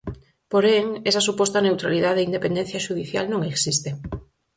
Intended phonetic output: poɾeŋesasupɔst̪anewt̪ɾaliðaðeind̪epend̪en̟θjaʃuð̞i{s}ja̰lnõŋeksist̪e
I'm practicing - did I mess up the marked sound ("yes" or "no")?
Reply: yes